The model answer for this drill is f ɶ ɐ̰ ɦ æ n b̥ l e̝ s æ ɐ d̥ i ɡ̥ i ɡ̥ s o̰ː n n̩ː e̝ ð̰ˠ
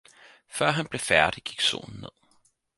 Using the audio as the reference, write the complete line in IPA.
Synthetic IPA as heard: f ɶ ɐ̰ ɦ æ n b̥ l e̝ f æ ɐ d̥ i ɡ̥ i ɡ̥ s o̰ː n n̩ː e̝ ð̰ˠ